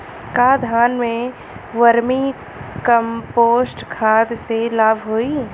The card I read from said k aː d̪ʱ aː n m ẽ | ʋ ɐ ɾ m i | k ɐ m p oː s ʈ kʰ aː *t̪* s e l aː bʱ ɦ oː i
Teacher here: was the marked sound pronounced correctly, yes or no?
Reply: no